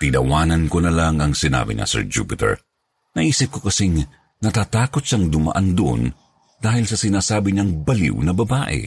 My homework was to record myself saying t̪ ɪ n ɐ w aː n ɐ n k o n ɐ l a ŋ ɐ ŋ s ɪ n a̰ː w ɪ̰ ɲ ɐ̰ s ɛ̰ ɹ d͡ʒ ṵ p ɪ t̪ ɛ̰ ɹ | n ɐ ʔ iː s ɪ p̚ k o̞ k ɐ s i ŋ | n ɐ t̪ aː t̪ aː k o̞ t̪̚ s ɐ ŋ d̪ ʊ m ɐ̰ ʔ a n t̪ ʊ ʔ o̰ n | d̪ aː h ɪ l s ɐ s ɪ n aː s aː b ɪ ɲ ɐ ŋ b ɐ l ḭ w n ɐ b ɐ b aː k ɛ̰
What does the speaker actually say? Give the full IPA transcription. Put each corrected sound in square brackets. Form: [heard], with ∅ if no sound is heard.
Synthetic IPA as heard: t̪ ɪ n ɐ w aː n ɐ n k o n ɐ l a ŋ ɐ ŋ s ɪ n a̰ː [b] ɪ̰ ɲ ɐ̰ s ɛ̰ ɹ d͡ʒ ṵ p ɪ t̪ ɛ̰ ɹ | n ɐ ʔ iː s ɪ p̚ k o̞ k ɐ s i ŋ | n ɐ t̪ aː t̪ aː k o̞ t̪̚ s ɐ ŋ d̪ ʊ m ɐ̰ ʔ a n [d̪] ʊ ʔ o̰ n | d̪ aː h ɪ l s ɐ s ɪ n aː s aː b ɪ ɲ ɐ ŋ b ɐ l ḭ w n ɐ b ɐ b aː [ʔ] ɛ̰